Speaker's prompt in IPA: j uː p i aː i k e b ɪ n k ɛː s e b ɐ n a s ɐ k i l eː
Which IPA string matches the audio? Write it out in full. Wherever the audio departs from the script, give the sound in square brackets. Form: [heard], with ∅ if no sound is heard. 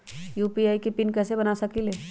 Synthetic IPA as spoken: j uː p i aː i k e [p] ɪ n k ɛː s e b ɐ n a s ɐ k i l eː